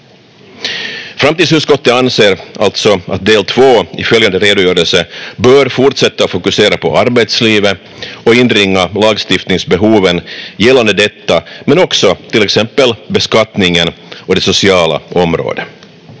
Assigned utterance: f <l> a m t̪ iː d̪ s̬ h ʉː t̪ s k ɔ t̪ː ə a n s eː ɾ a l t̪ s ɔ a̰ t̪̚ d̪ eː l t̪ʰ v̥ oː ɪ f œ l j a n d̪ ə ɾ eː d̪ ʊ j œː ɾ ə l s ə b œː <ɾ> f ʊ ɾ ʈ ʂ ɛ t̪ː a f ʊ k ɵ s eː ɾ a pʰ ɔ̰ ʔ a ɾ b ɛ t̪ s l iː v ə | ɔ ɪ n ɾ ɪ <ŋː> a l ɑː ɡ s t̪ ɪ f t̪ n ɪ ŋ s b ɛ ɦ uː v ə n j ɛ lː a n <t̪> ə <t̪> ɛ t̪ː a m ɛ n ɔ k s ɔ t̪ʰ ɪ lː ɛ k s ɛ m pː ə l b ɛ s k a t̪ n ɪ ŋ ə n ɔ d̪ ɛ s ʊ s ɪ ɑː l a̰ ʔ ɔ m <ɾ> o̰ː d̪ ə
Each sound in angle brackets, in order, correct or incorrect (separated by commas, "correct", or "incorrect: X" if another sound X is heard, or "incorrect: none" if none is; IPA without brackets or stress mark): incorrect: ɾ, correct, correct, incorrect: d̪, incorrect: d̪, correct